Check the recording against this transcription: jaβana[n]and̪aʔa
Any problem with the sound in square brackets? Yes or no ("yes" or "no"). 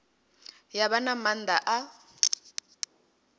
yes